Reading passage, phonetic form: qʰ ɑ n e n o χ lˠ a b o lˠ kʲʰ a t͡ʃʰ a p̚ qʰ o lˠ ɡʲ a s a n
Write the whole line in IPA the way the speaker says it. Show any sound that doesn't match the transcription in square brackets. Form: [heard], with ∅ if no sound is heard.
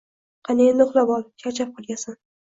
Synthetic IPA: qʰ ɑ n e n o χ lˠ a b [ɒ] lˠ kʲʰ a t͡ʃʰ a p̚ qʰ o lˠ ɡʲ a s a n